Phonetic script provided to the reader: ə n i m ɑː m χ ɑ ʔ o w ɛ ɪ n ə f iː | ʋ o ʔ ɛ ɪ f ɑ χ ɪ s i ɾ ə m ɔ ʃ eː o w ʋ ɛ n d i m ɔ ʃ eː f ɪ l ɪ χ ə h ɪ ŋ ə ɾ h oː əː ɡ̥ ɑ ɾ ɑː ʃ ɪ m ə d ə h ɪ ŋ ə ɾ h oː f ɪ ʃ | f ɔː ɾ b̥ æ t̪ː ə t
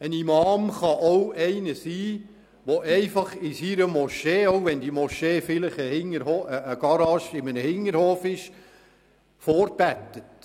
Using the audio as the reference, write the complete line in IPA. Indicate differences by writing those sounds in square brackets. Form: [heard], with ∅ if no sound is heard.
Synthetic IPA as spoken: ə n i m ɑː m χ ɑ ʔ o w ɛ ɪ n ə [s] iː | ʋ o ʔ ɛ ɪ f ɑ χ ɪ s i ɾ ə m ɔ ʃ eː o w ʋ ɛ n d i m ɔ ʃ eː f ɪ l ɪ χ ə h ɪ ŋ ə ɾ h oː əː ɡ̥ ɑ ɾ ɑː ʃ ɪ m ə [n] ə h ɪ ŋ ə ɾ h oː f ɪ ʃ | f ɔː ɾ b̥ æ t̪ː ə t